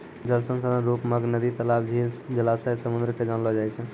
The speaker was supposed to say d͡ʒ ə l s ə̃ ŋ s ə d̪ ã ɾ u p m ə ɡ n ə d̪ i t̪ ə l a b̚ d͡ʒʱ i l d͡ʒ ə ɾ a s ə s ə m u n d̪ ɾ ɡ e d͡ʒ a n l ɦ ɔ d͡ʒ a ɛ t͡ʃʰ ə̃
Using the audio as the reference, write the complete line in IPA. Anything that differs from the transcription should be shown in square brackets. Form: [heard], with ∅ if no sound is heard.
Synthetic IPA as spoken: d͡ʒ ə l s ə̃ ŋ s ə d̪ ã ɾ u p m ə ɡ n ə d̪ i t̪ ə l a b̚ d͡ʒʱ i l d͡ʒ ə [l] a s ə s ə m u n d̪ ɾ [k] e d͡ʒ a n l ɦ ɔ d͡ʒ a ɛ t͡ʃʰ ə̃